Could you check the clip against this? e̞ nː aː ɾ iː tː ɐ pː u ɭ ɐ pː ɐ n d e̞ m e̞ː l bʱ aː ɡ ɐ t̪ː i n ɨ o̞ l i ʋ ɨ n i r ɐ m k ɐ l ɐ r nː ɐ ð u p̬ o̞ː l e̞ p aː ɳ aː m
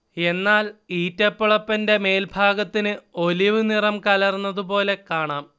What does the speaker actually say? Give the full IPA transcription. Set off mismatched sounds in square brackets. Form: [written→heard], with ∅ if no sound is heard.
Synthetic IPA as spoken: e̞ nː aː [ɾ→l] iː tː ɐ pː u ɭ ɐ pː ɐ n d e̞ m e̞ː l bʱ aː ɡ ɐ t̪ː i n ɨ o̞ l i ʋ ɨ n i r ɐ m k ɐ l ɐ r nː ɐ ð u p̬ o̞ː l e̞ [p→k] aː ɳ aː m